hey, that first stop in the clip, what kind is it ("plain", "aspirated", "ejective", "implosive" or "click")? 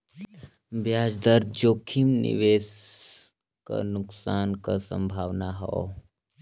plain